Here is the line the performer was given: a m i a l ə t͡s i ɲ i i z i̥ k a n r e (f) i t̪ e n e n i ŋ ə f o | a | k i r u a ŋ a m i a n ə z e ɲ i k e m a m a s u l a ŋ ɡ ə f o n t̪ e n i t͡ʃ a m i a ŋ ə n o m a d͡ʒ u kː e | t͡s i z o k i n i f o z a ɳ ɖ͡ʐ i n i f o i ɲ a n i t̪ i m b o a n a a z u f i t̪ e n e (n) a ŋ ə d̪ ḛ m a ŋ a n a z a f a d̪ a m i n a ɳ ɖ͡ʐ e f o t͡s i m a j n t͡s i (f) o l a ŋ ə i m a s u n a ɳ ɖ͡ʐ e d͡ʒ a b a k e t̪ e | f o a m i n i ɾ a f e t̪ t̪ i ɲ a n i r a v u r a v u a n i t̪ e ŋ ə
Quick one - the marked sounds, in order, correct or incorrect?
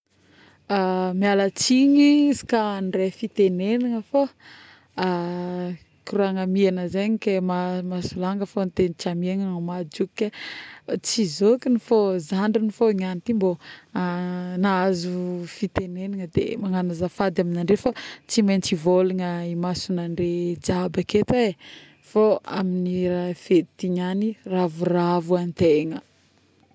correct, correct, incorrect: v

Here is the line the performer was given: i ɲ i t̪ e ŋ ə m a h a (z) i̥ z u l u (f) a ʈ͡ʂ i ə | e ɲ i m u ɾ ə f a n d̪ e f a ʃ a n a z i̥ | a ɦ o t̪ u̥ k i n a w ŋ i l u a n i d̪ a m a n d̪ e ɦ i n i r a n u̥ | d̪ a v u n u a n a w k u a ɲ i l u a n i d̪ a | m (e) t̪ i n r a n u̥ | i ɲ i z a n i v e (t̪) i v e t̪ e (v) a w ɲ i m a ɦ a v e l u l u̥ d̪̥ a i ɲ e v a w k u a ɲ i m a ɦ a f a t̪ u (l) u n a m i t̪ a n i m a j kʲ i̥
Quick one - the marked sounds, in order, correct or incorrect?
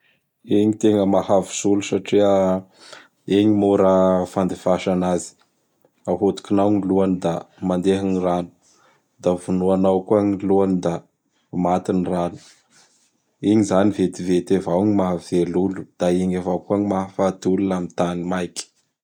incorrect: v, incorrect: s, incorrect: a, correct, correct, correct

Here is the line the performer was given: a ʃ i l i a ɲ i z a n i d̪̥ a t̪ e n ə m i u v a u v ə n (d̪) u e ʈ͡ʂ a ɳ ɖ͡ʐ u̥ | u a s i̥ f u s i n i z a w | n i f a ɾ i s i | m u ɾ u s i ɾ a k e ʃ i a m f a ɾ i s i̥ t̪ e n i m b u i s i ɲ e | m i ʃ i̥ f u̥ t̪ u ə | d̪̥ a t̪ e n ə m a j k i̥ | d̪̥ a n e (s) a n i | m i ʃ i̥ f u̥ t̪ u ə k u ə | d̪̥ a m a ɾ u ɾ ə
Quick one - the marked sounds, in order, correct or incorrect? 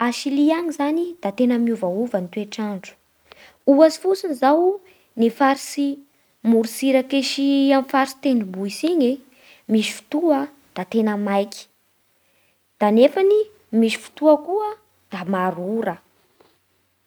incorrect: t̪, incorrect: f

